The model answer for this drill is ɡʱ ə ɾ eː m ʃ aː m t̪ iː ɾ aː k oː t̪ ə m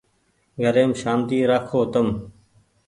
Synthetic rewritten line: ɡʱ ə ɾ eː m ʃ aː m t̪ iː ɾ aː kʰ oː t̪ ə m